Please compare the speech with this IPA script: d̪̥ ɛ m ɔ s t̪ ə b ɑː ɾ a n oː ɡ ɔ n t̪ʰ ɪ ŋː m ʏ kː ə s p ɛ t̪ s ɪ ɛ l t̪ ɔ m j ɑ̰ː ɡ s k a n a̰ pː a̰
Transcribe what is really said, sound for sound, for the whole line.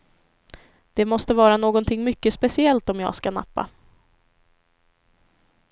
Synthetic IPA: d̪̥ ɛ m ɔ s t̪ ə v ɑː ɾ a n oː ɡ ɔ n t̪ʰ ɪ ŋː m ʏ kː ə s p ɛ s ɪ ɛ l t̪ ɔ m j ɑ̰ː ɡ s k a n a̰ pː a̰